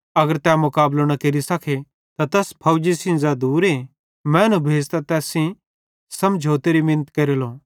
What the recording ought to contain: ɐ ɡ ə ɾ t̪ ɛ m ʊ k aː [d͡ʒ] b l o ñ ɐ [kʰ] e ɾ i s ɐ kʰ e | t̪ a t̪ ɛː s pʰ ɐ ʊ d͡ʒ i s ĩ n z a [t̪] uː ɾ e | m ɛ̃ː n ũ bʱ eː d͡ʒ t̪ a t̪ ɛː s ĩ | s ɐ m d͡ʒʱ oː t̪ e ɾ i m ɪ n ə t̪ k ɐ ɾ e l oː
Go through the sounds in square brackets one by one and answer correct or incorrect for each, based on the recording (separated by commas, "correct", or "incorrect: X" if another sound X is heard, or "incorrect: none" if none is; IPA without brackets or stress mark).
incorrect: none, incorrect: k, incorrect: d̪